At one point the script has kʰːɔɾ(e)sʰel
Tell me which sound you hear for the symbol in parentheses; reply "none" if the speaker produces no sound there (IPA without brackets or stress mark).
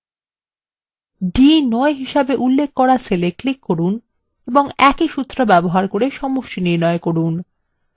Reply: a